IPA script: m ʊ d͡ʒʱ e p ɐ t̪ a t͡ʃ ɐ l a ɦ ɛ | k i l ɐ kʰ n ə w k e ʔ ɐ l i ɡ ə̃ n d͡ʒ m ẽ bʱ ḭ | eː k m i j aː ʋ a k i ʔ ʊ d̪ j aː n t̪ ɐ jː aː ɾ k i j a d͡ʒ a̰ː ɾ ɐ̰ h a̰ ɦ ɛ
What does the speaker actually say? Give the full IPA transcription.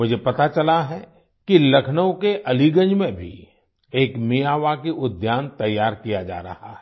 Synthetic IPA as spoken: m ʊ d͡ʒʱ e p ɐ t̪ a t͡ʃ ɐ l a ɦ ɛ | k i l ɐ kʰ n ə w k e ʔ ɐ l i ɡ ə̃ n d͡ʒ m ẽ bʱ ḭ | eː k m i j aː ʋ a k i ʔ ʊ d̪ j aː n t̪ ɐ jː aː ɾ k i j a d͡ʒ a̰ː ɾ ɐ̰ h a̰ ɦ ɛ